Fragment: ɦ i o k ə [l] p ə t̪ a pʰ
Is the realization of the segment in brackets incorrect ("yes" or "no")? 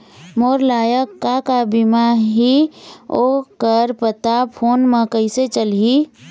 yes